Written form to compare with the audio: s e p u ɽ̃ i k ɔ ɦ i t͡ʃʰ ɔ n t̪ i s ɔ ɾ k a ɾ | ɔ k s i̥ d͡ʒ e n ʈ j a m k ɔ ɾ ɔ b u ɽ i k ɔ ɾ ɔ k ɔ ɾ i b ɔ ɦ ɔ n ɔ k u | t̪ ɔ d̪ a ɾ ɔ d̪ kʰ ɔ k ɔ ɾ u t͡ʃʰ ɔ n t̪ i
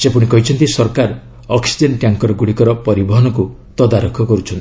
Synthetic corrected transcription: s e p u ɽ̃ i k ɔ ɦ i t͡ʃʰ ɔ n t̪ i s ɔ ɾ k a ɾ | ɔ k s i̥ d͡ʒ e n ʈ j a ŋ k ɔ ɾ ɔ ɡ u ɽ i k ɔ ɾ ɔ p ɔ ɾ i b ɔ ɦ ɔ n ɔ k u | t̪ ɔ d̪ a ɾ ɔ kʰ ɔ k ɔ ɾ u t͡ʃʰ ɔ n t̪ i